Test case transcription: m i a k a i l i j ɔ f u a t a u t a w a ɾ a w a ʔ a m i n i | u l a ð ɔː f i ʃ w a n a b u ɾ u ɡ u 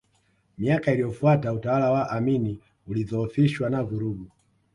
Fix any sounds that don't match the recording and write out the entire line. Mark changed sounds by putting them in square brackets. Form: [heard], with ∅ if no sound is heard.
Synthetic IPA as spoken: m i a k a i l i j ɔ f u a t a u t a w a [l] a w a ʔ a m i n i | u l [i] ð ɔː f i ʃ w a n a [v] u ɾ u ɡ u